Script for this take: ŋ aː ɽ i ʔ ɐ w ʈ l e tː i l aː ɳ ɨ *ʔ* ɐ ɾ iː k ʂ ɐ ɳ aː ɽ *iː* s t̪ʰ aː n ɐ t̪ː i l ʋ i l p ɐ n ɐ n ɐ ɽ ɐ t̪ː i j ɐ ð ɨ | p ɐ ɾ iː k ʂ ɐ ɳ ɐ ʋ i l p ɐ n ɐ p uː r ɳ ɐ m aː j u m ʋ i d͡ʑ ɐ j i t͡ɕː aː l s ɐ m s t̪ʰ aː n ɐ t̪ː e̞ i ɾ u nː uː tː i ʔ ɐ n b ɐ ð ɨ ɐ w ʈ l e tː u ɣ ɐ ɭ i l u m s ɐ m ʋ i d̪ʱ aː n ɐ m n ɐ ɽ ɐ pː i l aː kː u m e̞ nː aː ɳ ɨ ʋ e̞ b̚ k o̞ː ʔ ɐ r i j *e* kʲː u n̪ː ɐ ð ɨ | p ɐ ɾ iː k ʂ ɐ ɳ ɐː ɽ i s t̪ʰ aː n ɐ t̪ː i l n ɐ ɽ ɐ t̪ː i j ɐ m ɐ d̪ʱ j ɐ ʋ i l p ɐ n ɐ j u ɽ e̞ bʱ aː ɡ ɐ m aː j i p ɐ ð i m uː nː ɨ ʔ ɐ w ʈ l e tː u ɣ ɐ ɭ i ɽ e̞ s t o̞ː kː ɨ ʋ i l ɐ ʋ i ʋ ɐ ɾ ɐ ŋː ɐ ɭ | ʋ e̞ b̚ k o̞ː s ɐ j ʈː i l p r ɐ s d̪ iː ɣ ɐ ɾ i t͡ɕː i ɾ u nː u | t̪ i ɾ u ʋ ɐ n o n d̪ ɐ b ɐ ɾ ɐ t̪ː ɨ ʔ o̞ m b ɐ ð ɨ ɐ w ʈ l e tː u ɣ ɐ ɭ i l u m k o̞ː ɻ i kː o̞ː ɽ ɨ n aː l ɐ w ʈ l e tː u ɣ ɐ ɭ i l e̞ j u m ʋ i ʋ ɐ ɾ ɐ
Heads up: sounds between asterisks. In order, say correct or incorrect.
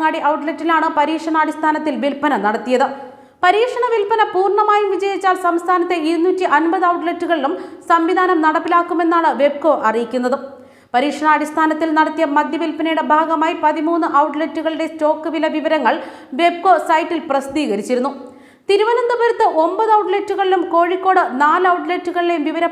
incorrect: p, incorrect: i, incorrect: i

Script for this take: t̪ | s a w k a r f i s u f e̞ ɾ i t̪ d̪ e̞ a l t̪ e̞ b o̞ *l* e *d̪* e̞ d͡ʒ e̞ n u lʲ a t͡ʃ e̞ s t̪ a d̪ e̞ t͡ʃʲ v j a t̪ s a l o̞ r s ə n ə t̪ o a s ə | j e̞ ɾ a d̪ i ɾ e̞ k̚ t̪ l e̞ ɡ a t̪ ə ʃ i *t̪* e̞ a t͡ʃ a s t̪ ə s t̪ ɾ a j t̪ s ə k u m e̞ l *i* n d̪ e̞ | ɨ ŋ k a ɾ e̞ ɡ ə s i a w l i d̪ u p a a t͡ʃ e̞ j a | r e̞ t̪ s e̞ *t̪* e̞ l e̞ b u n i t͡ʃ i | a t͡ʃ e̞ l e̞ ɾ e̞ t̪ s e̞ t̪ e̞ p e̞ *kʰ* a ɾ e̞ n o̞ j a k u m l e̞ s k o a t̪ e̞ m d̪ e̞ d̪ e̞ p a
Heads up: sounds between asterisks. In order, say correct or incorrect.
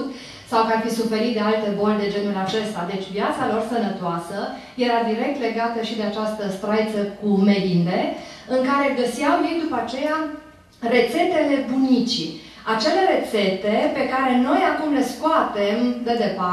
correct, correct, incorrect: d̪, correct, correct, incorrect: k

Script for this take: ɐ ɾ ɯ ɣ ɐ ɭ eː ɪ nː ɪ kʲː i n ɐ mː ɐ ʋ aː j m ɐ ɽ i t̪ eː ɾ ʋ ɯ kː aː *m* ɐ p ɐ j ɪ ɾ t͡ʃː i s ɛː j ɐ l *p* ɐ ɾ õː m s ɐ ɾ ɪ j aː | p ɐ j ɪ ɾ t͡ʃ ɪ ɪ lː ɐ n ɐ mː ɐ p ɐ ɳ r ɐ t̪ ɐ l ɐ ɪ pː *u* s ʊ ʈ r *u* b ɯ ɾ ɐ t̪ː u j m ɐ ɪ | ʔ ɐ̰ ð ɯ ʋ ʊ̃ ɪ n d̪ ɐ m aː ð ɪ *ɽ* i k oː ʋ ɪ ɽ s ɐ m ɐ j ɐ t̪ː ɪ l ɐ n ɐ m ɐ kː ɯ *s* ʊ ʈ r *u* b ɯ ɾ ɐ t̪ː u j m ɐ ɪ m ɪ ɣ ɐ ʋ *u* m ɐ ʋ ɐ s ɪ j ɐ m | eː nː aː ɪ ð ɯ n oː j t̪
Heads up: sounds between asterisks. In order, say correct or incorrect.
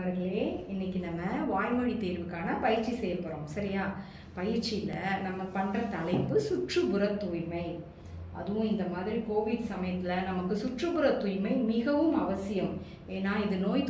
incorrect: n, correct, incorrect: ɯ, incorrect: ɯ, incorrect: ɾ, correct, incorrect: ɯ, incorrect: ɯ

